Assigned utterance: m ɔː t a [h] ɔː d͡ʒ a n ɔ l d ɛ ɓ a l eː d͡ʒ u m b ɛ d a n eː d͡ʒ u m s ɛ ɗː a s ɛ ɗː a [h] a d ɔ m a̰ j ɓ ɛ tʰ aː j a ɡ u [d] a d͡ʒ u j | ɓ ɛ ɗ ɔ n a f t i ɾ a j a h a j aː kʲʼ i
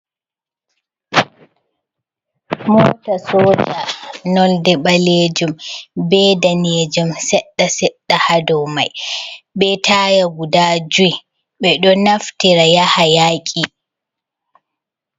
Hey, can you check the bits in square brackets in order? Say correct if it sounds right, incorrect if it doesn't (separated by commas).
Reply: incorrect, correct, correct